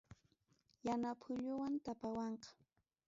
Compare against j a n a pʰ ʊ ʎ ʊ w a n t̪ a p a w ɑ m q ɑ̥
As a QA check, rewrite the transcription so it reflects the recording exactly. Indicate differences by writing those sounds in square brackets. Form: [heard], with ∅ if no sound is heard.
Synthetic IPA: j a n a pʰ ʊ ʎ ʊ w a n t̪ a p a w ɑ [ɴ] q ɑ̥